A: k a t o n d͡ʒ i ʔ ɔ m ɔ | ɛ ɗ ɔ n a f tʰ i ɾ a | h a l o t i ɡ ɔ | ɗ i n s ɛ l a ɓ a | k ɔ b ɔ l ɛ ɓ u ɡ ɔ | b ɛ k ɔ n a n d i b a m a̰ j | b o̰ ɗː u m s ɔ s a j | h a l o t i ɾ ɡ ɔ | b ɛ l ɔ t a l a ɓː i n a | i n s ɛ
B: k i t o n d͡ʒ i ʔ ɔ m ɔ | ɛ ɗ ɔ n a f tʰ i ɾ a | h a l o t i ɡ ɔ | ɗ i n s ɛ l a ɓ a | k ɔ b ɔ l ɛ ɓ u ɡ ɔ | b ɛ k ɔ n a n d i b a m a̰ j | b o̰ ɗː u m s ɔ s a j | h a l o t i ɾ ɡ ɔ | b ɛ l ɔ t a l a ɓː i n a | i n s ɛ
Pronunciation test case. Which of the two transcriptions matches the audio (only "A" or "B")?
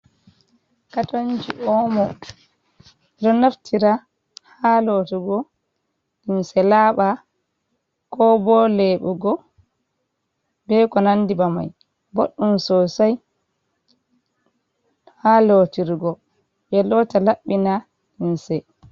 A